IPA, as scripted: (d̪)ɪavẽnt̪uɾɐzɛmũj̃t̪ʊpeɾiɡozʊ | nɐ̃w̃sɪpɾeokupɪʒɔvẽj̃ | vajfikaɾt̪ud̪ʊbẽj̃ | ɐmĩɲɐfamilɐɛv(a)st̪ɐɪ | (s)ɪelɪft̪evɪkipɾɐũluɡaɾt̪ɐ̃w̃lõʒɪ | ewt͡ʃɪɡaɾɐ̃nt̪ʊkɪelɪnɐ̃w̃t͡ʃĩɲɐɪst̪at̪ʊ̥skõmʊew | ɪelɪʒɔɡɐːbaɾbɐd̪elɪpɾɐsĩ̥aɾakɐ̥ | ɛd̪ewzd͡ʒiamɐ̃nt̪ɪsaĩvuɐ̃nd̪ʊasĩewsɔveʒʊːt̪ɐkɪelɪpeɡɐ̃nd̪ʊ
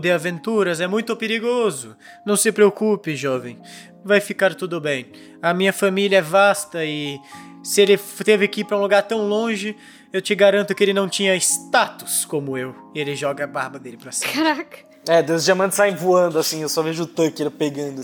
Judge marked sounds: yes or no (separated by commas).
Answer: yes, yes, yes